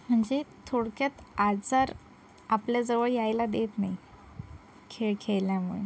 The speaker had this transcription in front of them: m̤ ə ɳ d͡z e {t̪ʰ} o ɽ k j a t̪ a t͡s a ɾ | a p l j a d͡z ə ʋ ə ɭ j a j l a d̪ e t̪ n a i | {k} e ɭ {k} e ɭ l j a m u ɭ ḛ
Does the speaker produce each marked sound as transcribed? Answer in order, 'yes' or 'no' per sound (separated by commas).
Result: yes, no, no